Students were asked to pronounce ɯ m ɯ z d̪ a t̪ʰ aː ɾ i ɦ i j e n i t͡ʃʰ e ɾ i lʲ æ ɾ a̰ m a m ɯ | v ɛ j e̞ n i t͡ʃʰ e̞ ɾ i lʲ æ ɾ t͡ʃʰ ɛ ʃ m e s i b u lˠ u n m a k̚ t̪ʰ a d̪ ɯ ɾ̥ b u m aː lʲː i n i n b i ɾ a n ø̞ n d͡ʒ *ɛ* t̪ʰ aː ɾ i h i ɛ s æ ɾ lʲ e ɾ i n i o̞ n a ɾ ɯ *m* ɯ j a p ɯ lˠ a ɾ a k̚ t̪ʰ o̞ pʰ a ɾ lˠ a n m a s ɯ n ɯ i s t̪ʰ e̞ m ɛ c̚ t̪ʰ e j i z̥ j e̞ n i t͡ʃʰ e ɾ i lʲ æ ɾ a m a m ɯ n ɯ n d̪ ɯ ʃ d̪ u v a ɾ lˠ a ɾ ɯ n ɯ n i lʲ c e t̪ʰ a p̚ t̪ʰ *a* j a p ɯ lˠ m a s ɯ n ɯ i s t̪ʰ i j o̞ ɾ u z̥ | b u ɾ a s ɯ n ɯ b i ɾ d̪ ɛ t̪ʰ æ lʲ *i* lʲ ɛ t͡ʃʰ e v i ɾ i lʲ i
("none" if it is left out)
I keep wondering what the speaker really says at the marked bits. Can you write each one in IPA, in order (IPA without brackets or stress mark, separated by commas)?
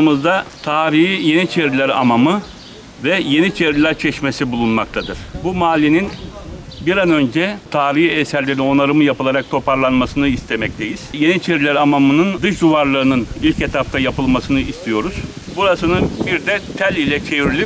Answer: ɛ, m, a, i